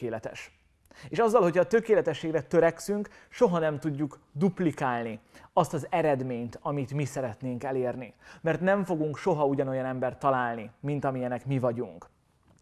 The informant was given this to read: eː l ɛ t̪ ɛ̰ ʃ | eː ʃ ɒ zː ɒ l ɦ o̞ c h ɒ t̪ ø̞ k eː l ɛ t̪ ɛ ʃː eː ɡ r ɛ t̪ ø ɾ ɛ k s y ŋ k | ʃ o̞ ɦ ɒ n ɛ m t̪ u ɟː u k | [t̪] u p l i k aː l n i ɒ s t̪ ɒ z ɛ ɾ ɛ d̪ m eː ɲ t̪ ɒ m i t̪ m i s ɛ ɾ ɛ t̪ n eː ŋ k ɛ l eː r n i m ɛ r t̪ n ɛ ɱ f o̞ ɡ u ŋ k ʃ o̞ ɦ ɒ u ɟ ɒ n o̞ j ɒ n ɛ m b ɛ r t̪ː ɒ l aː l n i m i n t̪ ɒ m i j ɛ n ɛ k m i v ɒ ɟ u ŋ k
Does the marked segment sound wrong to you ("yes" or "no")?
yes